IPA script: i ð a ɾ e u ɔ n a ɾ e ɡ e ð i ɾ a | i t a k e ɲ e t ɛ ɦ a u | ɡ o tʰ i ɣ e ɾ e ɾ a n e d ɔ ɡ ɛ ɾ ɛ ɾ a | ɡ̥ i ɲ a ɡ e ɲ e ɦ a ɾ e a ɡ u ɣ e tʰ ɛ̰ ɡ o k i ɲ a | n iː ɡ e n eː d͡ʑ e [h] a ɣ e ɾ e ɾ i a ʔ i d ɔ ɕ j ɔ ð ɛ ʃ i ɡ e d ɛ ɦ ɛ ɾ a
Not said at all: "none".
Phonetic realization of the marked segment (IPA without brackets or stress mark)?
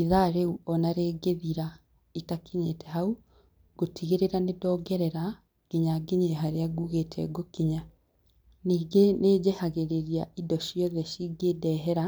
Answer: h